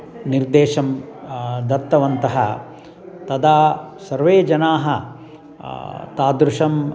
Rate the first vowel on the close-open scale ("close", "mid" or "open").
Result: close